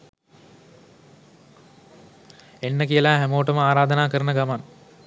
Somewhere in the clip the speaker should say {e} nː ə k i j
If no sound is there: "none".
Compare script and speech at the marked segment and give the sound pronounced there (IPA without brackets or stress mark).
e